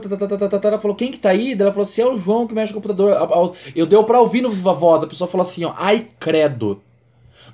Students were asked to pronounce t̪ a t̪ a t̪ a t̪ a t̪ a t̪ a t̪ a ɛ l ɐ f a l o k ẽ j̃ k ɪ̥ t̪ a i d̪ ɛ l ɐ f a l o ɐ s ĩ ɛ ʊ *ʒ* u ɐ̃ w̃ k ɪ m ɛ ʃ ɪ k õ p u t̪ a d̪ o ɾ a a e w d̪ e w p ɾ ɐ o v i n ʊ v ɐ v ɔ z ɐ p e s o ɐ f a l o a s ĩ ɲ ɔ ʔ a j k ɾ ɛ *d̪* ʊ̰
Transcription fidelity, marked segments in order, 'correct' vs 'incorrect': correct, correct

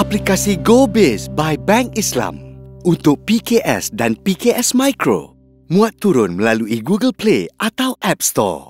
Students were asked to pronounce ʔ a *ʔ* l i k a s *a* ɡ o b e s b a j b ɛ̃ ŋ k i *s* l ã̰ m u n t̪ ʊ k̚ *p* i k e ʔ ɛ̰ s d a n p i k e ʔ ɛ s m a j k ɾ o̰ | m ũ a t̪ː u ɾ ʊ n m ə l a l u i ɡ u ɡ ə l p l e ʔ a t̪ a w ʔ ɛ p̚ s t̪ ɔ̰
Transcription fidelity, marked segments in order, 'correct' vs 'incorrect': incorrect, incorrect, correct, correct

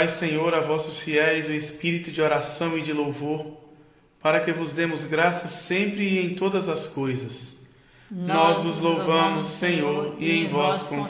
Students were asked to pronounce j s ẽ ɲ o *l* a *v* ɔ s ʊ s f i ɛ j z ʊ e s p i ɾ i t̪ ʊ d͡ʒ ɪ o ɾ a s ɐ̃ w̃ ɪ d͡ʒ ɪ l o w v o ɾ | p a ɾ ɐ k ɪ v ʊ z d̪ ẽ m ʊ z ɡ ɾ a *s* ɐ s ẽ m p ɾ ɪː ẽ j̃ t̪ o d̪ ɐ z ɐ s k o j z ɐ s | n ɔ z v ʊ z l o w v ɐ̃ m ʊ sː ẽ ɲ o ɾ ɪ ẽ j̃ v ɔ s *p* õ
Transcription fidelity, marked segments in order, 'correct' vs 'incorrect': incorrect, correct, correct, incorrect

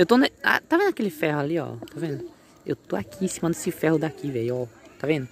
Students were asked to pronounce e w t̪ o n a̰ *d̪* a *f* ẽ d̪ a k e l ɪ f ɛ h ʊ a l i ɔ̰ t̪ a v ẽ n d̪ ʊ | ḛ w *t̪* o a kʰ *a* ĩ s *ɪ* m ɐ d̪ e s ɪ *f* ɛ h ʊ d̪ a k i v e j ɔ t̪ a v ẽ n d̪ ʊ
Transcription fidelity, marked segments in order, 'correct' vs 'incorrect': incorrect, incorrect, correct, incorrect, incorrect, correct

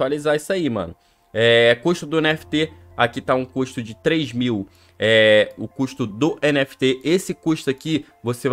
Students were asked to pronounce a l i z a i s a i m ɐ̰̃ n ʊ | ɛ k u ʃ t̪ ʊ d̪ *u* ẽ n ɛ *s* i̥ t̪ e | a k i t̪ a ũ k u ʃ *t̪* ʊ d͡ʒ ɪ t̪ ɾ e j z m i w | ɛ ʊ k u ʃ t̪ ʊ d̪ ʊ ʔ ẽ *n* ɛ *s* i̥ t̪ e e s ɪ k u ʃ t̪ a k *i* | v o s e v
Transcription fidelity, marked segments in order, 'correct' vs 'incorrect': incorrect, incorrect, correct, correct, incorrect, correct

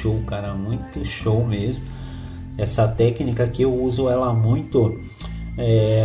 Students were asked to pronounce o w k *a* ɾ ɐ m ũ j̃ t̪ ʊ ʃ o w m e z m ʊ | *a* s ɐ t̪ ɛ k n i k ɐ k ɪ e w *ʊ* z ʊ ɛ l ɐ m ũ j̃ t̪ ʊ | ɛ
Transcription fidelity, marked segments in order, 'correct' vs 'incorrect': correct, incorrect, incorrect

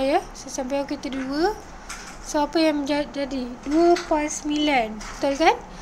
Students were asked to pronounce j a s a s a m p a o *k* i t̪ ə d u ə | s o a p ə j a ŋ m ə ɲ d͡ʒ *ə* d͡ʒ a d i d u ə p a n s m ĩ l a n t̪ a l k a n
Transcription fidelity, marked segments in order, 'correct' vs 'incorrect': correct, incorrect

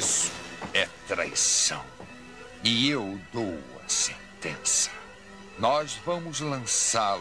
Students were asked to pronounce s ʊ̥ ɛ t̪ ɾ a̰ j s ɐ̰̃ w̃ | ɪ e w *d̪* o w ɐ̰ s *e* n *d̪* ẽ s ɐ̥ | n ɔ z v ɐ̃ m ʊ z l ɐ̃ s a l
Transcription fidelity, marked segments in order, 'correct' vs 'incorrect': correct, incorrect, incorrect

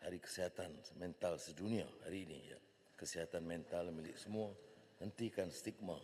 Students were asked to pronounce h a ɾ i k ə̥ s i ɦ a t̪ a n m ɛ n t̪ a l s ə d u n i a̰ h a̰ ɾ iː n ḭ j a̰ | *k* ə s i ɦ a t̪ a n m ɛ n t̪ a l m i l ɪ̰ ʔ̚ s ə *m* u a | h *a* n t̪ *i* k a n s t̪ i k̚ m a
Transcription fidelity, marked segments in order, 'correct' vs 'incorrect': correct, correct, incorrect, correct

